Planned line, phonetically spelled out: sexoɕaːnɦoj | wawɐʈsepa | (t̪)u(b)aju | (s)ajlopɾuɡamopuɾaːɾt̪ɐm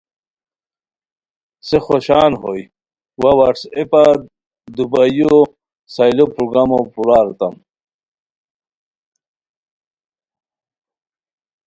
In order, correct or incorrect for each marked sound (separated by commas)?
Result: incorrect, correct, correct